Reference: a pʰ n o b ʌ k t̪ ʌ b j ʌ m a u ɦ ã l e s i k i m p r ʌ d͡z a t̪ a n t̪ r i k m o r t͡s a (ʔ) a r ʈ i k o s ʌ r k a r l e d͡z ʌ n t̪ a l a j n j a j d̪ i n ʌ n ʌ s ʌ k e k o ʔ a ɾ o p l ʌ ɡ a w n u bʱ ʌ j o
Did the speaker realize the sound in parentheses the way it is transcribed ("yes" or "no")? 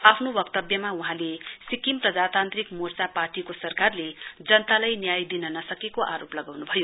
no